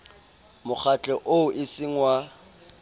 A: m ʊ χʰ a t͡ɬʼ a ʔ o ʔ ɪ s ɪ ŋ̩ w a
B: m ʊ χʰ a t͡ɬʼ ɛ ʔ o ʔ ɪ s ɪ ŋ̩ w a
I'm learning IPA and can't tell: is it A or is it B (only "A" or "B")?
B